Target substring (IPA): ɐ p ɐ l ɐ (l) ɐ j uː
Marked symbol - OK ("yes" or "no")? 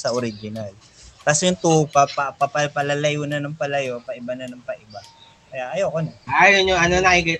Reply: yes